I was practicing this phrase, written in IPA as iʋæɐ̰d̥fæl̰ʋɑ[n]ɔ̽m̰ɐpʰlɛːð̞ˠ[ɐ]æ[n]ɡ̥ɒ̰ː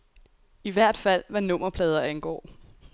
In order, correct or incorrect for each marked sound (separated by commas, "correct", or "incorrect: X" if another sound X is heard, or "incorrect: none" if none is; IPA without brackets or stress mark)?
correct, correct, correct